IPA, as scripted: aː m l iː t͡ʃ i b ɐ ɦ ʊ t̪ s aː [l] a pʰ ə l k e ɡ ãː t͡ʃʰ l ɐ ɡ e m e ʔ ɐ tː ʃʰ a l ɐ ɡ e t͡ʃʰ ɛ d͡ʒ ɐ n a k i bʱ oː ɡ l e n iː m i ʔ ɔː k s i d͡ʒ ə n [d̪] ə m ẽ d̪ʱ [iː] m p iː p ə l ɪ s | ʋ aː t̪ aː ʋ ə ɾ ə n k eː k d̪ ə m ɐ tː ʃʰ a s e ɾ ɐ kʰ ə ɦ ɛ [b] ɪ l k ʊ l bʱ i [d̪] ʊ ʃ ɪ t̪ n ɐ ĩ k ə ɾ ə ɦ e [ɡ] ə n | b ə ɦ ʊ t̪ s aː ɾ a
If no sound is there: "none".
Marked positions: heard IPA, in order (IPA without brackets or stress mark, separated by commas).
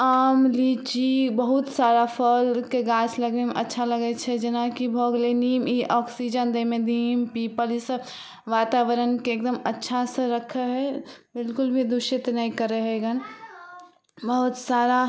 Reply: ɾ, d̪, iː, b, d̪, ɡ